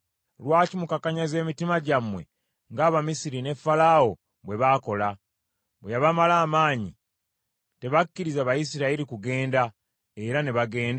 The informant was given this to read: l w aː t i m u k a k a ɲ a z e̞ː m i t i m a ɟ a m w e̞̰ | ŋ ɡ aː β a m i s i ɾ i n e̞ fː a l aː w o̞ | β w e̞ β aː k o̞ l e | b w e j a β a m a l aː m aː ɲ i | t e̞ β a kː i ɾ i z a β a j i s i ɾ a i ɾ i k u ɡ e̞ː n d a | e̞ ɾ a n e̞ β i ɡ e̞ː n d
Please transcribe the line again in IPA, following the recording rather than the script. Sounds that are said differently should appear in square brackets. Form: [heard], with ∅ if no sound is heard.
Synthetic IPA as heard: l w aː [c] i m u k a k a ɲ a z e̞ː m i t i m a ɟ a m w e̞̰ | ŋ ɡ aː β a m i s i ɾ i n e̞ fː a l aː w o̞ | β w e̞ β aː k o̞ l [a] | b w e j a β a m a l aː m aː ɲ i | t e̞ β a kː i ɾ i z a β a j i s i ɾ a i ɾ i k u ɡ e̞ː n d a | e̞ ɾ a n e̞ β [a] ɡ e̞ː n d